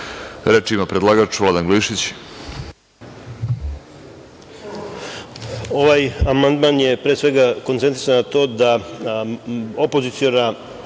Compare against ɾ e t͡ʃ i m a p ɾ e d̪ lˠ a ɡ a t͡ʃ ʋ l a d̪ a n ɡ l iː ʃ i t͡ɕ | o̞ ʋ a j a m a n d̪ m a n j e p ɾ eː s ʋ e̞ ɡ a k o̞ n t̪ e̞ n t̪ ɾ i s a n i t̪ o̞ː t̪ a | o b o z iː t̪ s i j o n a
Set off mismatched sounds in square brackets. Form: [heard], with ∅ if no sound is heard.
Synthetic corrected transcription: ɾ e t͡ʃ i m a p ɾ e d̪ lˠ a ɡ a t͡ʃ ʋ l a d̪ a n ɡ l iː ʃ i t͡ɕ | o̞ ʋ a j a m a n d̪ m a n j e p ɾ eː s ʋ e̞ ɡ a k o̞ n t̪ e̞ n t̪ ɾ i s a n [a] t̪ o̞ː [d̪] a | o [p] o z [i] t̪ s i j o n a